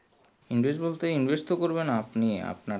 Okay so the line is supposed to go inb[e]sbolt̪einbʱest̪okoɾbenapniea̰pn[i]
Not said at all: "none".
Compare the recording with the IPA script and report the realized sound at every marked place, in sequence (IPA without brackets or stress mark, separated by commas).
e, a